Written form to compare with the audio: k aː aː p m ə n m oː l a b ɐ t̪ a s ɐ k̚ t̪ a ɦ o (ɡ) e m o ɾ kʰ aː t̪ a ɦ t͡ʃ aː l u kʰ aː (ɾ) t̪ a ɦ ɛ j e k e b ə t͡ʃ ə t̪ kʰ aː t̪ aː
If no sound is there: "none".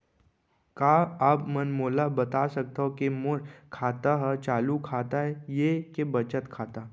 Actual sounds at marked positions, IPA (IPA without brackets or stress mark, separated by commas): k, none